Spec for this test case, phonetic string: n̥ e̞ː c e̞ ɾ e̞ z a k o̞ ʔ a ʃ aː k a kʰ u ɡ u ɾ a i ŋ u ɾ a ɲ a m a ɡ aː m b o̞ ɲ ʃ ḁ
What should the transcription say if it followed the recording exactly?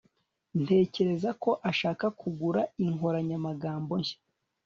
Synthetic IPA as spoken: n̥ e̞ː c e̞ ɾ e̞ z a k o̞ ʔ a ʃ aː k a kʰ u ɡ u ɾ a i ŋ o ɾ a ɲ a m a ɡ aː m b o̞ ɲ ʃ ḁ